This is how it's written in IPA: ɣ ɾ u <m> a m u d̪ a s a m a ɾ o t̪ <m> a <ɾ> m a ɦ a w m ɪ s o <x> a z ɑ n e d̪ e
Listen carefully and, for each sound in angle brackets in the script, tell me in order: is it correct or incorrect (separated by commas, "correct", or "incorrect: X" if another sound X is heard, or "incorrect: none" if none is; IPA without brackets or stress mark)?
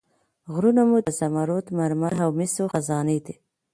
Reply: incorrect: n, correct, correct, correct